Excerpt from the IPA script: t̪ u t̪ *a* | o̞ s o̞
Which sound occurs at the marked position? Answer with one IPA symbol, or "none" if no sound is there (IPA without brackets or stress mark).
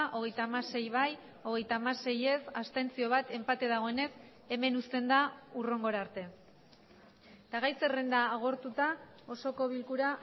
a